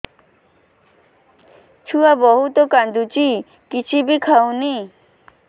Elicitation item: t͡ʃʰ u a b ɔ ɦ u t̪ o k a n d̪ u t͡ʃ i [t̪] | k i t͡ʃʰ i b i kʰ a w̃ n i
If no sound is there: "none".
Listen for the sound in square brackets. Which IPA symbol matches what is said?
none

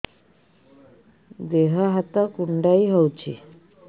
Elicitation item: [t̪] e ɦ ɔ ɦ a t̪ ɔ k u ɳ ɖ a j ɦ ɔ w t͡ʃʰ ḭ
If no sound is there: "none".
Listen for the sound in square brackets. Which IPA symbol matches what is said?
d̪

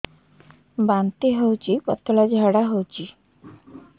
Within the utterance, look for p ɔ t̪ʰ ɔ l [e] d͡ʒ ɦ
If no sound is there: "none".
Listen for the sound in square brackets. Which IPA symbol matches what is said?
a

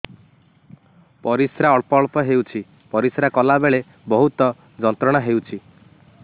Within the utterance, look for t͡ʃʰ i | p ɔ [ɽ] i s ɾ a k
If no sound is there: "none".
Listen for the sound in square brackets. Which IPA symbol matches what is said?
ɾ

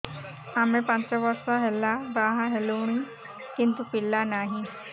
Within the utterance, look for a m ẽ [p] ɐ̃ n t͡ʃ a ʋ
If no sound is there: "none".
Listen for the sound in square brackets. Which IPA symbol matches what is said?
p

